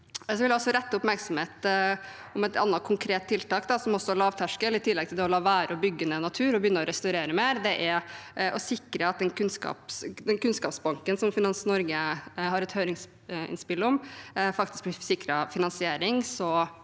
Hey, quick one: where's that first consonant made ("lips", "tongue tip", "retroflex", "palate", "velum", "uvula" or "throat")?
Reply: tongue tip